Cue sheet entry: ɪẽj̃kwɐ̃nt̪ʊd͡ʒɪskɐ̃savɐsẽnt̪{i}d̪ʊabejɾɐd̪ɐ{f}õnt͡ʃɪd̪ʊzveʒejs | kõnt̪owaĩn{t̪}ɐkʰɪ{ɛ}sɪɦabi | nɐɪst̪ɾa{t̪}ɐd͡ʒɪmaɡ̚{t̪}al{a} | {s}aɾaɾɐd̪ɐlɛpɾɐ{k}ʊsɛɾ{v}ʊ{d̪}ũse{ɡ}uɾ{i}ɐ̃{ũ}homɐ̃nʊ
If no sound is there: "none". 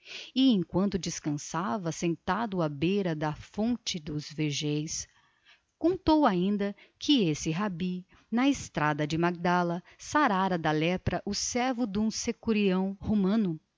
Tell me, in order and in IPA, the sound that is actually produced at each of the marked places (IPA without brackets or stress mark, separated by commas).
a, f, d̪, e, d̪, d̪, ɐ, s, ʔ, v, d̪, k, i, w̃